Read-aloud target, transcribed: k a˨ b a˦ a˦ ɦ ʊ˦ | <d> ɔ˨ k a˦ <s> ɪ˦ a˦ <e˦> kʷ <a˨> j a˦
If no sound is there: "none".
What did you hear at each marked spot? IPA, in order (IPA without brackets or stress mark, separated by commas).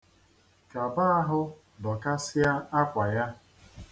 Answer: d, s, a˦, a˨